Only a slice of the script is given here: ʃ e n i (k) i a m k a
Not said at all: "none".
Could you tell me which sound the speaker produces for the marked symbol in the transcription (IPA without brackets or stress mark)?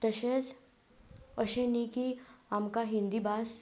k